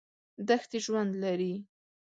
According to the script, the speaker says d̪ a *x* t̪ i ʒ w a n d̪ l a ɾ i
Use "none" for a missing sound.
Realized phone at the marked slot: x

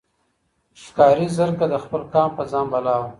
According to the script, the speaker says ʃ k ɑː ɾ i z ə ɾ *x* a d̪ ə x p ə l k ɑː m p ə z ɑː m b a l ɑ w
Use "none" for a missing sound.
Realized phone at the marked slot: k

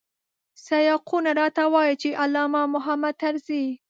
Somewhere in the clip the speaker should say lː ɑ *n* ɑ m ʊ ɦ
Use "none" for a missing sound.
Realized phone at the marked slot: m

